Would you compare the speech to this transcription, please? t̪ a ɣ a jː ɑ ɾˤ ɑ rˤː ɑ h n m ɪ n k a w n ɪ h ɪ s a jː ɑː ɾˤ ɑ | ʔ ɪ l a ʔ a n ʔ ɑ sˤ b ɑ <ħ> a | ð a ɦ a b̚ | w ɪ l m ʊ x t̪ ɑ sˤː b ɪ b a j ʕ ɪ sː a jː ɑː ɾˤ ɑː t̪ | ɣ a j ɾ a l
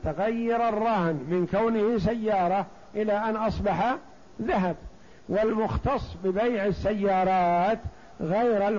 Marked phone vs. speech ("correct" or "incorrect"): correct